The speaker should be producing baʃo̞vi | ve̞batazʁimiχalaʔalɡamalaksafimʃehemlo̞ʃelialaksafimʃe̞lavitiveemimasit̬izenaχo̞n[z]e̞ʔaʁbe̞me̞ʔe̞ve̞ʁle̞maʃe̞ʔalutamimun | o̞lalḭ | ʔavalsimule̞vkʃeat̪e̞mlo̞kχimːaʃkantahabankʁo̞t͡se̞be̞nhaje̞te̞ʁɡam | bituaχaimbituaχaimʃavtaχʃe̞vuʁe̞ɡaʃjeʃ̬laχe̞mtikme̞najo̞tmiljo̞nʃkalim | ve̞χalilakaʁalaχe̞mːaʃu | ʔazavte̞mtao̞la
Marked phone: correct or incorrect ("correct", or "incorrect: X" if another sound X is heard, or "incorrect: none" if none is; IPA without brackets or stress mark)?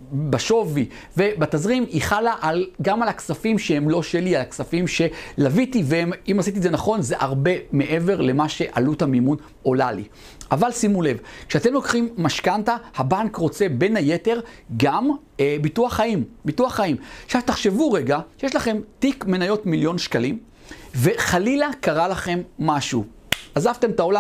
correct